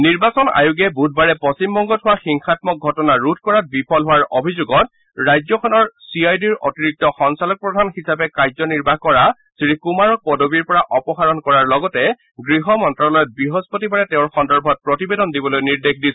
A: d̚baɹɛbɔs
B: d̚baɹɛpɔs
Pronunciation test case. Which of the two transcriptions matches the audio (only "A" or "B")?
B